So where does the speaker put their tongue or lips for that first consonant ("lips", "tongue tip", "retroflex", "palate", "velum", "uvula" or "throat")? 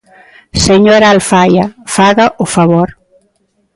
tongue tip